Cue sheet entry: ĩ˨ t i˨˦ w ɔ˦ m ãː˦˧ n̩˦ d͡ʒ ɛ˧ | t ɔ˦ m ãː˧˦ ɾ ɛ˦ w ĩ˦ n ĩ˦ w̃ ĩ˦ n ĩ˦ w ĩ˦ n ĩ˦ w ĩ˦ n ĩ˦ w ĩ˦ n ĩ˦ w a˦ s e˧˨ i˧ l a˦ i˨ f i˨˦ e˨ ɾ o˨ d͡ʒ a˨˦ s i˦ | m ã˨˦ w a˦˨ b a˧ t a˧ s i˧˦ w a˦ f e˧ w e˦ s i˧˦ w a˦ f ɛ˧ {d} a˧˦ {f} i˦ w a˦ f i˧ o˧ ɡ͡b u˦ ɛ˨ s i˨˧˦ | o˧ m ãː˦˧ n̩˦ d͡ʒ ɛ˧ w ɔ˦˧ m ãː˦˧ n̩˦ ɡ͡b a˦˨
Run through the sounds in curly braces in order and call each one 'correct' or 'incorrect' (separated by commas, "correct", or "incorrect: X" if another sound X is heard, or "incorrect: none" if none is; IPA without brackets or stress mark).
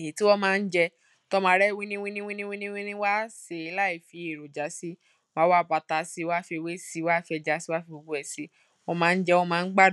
incorrect: d͡ʒ, incorrect: s